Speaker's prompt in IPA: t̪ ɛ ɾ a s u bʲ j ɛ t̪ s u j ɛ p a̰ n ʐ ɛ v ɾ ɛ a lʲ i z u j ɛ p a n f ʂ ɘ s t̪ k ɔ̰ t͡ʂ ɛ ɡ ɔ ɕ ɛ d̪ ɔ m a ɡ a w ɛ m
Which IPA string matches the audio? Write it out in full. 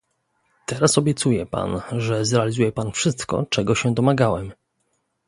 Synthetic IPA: t̪ ɛ ɾ a s ɔ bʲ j ɛ t̪ s u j ɛ p a̰ n ʐ ɛ z ɾ ɛ a lʲ i z u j ɛ p a n f ʂ ɘ s t̪ k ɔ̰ t͡ʂ ɛ ɡ ɔ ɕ ɛ d̪ ɔ m a ɡ a w ɛ m